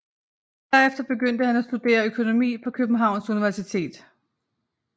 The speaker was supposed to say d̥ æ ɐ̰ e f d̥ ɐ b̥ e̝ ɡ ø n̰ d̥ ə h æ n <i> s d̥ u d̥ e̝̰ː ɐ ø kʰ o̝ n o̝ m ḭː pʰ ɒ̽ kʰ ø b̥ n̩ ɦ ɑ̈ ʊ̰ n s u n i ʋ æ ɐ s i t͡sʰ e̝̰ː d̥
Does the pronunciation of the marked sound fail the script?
yes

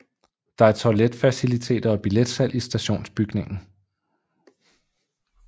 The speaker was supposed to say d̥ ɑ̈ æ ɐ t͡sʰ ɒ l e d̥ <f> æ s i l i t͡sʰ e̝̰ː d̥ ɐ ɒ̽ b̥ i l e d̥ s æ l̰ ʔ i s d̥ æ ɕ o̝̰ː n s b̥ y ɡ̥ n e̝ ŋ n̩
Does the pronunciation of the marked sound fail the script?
no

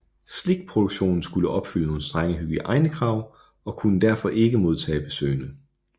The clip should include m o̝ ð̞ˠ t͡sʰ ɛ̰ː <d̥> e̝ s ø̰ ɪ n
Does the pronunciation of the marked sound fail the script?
yes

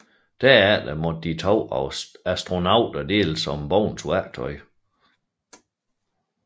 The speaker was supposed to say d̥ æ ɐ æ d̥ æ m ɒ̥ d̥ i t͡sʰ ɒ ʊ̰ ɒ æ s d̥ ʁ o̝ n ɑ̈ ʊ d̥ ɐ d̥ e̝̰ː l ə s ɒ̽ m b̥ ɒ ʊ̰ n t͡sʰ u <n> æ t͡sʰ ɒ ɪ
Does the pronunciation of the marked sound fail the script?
yes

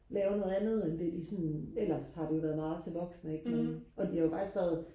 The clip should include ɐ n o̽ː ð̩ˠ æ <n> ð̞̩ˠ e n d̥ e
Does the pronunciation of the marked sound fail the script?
no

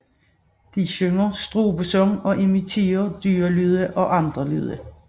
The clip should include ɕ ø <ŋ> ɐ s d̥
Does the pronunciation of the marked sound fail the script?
no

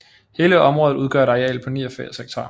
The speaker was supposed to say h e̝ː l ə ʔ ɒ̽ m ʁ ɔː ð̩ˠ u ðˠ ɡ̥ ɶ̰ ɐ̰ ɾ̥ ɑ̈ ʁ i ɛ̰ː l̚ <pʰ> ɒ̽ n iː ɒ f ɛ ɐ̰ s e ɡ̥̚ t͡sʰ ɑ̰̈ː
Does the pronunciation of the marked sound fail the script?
no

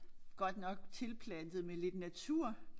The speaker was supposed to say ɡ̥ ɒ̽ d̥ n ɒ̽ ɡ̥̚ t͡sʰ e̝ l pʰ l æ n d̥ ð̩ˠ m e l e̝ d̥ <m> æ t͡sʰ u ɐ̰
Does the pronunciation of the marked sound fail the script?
yes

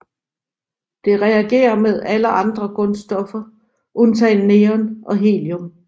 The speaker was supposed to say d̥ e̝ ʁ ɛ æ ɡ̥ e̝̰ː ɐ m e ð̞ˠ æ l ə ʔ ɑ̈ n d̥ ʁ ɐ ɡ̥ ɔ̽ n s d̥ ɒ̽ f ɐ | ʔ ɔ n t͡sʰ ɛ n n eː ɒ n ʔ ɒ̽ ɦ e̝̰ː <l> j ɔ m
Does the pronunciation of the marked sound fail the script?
no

